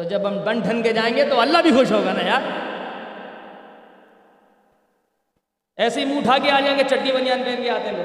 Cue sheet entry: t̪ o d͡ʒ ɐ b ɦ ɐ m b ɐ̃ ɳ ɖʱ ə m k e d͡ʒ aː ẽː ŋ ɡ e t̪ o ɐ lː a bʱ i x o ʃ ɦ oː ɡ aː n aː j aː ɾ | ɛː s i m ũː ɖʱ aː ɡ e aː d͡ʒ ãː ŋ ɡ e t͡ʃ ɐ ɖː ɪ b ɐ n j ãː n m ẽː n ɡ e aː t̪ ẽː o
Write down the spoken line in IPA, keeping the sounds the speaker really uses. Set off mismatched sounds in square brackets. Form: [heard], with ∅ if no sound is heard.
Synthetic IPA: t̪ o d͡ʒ ɐ b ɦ ɐ m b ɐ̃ ɳ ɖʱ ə [n] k e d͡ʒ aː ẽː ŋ ɡ e t̪ o ɐ lː a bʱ i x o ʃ ɦ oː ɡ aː n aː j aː ɾ | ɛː s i m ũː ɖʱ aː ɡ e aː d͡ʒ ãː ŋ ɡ e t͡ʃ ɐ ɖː [i] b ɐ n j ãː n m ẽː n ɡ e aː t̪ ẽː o